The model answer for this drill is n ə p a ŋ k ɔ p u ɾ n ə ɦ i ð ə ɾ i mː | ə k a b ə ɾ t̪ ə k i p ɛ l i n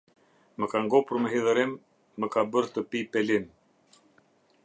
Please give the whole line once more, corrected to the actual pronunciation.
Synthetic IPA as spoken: m ə k a ŋ ɡ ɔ p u ɾ m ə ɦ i ð ə ɾ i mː | ə k a b ə ɾ t̪ ə p i p ɛ l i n